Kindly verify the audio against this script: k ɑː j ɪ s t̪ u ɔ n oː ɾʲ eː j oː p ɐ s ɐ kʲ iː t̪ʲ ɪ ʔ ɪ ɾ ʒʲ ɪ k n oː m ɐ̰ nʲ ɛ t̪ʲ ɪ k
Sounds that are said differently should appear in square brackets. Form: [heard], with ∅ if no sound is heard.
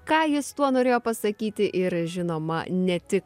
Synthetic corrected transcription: k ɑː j ɪ s t̪ u ɔ n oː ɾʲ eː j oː p ɐ s ɐ kʲ iː t̪ʲ ɪ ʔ ɪ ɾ ʒʲ ɪ [∅] n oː m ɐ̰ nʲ ɛ t̪ʲ ɪ k